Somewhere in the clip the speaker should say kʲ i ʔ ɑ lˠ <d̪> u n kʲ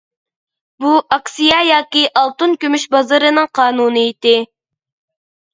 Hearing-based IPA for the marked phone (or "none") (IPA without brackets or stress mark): t̪